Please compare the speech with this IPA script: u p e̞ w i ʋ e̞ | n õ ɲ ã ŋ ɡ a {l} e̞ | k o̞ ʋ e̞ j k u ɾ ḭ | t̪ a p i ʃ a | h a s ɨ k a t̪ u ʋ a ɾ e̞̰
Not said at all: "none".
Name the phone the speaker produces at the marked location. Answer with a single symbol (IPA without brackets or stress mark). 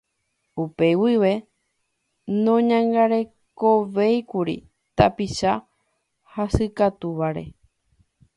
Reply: ɾ